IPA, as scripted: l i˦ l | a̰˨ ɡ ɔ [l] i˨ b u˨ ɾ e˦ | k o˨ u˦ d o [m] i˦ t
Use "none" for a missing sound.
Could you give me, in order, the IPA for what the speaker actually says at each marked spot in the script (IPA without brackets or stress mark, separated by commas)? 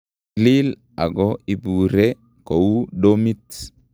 none, m